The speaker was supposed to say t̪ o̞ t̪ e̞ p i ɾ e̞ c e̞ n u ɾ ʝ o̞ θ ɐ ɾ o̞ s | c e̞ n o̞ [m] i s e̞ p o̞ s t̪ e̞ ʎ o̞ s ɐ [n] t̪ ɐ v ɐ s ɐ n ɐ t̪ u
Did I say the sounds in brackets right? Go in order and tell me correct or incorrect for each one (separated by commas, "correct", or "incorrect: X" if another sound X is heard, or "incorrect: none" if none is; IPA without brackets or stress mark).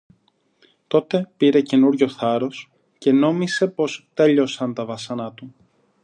correct, correct